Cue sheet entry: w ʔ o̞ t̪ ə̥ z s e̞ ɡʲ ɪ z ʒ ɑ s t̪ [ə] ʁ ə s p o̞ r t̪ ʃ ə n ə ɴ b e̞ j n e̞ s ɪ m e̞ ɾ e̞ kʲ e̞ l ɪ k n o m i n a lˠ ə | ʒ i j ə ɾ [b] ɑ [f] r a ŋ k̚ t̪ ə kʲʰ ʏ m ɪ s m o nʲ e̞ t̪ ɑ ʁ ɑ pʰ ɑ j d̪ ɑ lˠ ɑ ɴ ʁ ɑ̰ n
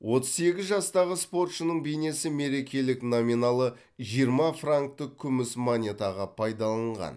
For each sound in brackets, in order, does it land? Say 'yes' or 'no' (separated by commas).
no, no, yes